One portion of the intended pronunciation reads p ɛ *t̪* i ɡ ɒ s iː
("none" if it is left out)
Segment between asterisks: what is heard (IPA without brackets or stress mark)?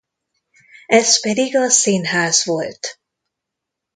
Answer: d̪